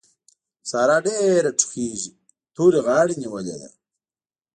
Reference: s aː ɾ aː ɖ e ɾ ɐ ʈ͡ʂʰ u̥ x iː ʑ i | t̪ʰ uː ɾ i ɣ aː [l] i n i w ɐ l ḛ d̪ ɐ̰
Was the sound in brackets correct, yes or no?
no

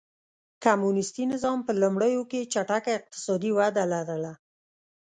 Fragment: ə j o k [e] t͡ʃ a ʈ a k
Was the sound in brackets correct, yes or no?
yes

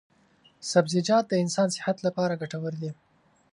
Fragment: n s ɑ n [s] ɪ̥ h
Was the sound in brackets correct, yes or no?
yes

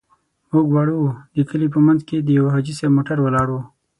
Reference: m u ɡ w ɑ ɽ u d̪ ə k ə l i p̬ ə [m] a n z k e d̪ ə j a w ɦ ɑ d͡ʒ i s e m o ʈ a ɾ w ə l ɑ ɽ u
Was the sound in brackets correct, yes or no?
yes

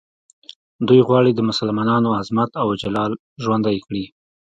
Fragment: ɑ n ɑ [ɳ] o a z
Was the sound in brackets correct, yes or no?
no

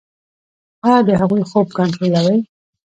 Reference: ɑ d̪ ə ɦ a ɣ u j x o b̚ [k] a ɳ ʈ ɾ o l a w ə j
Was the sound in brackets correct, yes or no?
yes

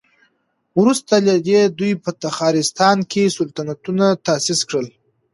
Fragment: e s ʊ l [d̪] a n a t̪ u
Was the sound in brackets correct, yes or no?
no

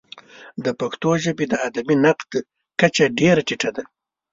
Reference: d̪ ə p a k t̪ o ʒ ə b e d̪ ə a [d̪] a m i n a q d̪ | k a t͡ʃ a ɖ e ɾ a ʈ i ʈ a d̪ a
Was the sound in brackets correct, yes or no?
yes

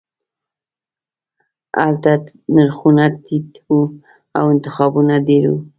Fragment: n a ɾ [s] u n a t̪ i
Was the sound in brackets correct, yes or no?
no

